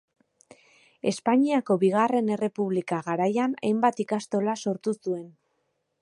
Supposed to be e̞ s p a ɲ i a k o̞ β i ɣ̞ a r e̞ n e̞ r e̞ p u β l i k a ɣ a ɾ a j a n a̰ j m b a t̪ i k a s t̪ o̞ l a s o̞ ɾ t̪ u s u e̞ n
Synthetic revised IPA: e̞ s p a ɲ i a k o̞ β i ɣ̞ a r e̞ n e̞ r e̞ p u β l i k a ɣ a ɾ a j a n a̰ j m b a t̪ i k a s t̪ o̞ l a s o̞ ɾ t̪ u s u e̞ n